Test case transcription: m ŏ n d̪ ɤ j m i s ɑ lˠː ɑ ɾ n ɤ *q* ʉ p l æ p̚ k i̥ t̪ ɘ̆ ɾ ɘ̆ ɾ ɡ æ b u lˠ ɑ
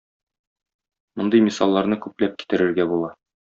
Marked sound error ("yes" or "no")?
yes